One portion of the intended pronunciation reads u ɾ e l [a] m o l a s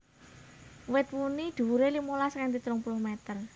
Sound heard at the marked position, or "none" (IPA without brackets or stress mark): i